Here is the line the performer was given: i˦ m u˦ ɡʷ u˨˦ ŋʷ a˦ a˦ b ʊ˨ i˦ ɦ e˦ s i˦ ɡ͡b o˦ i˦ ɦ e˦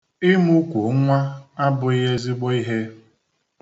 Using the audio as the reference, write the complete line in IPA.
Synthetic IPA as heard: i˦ m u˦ kʷ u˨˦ ŋʷ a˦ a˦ b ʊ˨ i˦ ɦ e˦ z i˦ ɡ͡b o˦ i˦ ɦ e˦